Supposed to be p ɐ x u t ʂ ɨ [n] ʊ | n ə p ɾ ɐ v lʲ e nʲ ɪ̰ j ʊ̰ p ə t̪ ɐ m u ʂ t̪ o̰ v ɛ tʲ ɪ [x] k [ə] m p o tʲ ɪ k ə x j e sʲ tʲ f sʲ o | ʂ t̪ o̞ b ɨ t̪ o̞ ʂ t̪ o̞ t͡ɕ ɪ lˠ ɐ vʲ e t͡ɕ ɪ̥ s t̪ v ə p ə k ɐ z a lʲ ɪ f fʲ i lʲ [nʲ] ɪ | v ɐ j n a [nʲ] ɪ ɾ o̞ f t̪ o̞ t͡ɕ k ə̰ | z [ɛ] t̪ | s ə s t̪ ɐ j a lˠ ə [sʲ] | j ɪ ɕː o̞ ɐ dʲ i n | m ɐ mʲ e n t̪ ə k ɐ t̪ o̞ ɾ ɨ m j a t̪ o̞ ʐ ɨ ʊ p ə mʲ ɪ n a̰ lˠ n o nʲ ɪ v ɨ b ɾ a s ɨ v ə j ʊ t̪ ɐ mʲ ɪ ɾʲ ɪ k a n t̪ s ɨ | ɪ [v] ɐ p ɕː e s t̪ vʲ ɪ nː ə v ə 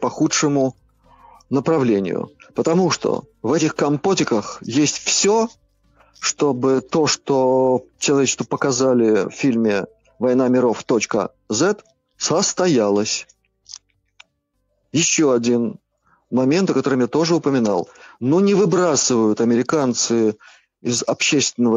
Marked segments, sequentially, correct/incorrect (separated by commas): incorrect, correct, incorrect, incorrect, incorrect, correct, correct, incorrect